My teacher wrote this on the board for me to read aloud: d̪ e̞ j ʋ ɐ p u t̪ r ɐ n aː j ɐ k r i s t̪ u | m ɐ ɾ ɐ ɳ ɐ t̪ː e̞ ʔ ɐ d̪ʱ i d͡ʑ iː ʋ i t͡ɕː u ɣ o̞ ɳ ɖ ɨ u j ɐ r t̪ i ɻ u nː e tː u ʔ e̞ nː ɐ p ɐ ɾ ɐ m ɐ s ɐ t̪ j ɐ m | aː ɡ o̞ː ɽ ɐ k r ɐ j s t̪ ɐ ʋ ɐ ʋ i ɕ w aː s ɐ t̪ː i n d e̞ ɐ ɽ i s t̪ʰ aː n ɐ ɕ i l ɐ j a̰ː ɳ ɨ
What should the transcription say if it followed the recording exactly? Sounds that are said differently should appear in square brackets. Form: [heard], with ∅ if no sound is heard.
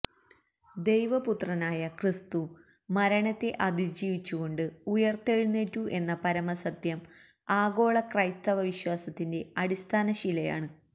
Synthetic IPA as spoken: d̪ e̞ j ʋ ɐ p u t̪ r ɐ n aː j ɐ k r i s t̪ u | m ɐ ɾ ɐ ɳ ɐ t̪ː e̞ ʔ ɐ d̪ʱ i d͡ʑ iː ʋ i t͡ɕː u ɣ o̞ ɳ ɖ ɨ u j ɐ r t̪ [e] ɻ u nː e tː u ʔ e̞ nː ɐ p ɐ ɾ ɐ m ɐ s ɐ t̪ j ɐ m | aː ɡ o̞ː [ɭ] ɐ k r ɐ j s t̪ ɐ ʋ ɐ ʋ i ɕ w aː s ɐ t̪ː i n d e̞ ɐ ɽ i s t̪ʰ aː n ɐ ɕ i l ɐ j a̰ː ɳ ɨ